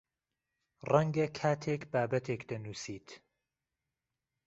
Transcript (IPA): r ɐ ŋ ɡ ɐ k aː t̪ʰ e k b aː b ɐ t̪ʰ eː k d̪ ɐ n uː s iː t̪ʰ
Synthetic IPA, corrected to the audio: r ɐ ŋ ɡ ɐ kʰ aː t̪ʰ e k b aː b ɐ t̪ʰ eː k d̪ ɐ n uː s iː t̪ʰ